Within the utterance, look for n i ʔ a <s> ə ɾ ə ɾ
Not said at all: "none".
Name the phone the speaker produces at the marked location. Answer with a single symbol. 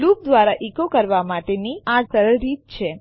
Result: s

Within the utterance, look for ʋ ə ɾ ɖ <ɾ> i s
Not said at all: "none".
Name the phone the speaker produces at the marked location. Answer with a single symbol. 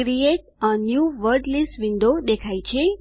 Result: l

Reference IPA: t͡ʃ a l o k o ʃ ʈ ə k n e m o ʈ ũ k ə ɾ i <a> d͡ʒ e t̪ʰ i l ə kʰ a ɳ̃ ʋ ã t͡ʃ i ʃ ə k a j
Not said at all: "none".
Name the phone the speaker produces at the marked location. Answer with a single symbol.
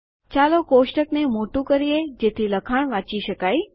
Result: e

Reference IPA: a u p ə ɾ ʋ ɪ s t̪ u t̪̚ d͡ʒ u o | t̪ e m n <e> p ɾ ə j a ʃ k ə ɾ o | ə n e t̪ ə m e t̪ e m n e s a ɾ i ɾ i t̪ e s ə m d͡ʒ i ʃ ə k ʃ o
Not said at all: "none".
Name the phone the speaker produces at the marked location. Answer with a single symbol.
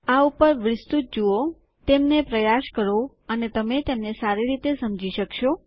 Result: e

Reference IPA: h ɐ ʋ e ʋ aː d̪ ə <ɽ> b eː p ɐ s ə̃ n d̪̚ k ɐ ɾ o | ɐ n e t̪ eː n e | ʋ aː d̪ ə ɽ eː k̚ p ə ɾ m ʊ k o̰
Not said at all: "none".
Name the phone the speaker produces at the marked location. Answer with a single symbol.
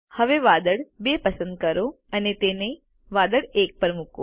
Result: ɽ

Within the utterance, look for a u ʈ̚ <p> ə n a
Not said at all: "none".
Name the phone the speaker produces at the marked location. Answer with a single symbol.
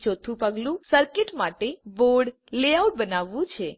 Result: b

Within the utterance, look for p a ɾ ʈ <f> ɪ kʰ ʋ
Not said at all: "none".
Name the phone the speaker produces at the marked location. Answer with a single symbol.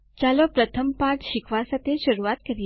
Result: ʃ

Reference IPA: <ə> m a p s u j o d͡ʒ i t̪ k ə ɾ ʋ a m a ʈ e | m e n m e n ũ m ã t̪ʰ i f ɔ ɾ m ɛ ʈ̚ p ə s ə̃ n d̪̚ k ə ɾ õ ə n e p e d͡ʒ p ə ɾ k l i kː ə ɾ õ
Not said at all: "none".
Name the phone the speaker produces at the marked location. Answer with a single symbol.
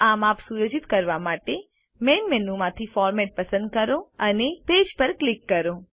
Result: a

